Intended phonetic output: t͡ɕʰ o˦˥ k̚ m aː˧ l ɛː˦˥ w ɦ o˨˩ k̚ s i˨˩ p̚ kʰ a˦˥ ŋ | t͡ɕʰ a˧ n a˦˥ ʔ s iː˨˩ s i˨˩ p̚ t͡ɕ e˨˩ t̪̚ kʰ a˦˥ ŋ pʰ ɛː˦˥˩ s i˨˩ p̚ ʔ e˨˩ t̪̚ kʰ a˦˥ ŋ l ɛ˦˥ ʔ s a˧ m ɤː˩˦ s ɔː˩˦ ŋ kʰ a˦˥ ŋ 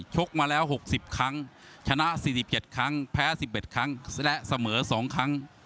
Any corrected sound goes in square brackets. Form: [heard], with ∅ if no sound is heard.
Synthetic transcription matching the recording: t͡ɕʰ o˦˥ k̚ m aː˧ l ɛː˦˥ w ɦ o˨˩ k̚ s i˨˩ p̚ kʰ a˦˥ ŋ | t͡ɕʰ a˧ n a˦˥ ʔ s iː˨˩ s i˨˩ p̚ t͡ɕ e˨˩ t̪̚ kʰ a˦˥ ŋ pʰ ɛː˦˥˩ s i˨˩ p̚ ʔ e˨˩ t̪̚ kʰ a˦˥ ŋ l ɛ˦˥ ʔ s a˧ m ɤː˩˦ s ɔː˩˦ ŋ kʰ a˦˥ ŋ